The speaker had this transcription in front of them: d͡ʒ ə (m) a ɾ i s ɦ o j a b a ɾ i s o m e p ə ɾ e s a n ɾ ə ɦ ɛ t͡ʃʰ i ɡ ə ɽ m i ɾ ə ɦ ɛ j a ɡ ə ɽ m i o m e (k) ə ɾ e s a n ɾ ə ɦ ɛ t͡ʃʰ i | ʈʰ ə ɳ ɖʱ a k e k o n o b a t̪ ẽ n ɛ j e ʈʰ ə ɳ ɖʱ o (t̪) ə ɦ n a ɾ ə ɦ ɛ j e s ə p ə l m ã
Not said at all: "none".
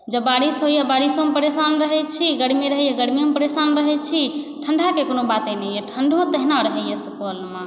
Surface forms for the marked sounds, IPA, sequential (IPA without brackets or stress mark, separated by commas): b, p, t̪